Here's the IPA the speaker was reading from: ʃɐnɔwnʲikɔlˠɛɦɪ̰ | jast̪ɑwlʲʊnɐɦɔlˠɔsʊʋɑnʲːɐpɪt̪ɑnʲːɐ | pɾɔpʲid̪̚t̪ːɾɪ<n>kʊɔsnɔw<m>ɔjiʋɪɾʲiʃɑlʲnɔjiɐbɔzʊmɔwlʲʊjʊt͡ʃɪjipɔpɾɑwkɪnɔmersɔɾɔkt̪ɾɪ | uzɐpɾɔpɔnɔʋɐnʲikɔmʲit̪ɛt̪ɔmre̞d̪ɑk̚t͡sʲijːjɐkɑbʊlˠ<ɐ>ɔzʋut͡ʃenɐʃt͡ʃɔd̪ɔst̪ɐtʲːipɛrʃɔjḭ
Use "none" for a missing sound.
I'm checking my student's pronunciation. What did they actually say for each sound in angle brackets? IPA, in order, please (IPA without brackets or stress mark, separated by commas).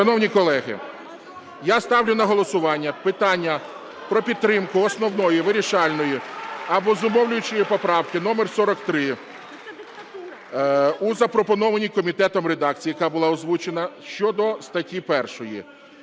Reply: m, n, ɑ